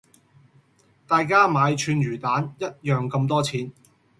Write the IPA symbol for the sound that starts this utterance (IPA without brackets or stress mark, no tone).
t̪